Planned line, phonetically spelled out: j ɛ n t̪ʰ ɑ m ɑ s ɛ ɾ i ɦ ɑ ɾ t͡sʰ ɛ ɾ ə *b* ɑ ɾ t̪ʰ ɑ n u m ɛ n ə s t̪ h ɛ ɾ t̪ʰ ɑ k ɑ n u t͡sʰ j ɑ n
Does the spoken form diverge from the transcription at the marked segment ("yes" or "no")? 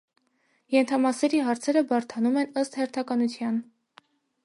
no